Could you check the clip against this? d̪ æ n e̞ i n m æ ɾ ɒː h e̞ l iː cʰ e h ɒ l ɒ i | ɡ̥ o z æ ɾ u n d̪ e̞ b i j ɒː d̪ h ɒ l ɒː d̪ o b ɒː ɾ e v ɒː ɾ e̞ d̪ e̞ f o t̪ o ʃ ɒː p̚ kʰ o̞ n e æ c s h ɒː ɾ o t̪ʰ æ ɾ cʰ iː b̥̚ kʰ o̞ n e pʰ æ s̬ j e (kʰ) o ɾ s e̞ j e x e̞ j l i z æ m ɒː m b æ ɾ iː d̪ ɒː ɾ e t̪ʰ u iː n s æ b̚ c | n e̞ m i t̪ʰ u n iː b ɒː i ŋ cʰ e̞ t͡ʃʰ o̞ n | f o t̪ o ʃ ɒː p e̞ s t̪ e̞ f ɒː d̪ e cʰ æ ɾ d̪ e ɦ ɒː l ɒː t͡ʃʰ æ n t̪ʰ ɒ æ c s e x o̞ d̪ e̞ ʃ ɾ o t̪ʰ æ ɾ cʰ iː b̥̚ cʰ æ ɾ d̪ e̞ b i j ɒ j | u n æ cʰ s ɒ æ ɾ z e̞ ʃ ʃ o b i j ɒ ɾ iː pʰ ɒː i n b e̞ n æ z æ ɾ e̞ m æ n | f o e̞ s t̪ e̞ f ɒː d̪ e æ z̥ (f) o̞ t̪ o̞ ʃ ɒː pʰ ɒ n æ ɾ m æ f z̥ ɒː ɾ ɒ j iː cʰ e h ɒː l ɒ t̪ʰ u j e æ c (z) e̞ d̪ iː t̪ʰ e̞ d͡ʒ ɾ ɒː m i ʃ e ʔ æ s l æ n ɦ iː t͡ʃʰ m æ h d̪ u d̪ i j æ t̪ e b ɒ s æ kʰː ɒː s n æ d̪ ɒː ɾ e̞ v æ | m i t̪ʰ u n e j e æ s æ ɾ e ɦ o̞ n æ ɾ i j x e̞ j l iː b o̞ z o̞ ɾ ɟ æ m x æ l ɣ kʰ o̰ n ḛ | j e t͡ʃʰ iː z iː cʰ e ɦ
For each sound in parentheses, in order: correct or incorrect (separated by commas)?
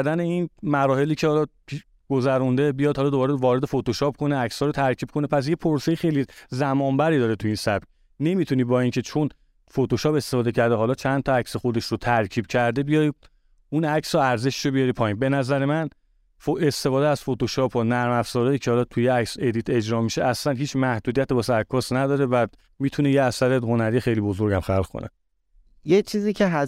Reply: incorrect, correct, incorrect